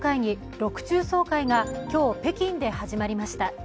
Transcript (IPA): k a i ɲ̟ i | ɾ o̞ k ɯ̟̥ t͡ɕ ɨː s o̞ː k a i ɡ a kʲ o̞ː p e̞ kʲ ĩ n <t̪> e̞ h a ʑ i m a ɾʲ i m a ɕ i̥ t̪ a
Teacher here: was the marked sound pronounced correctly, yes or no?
no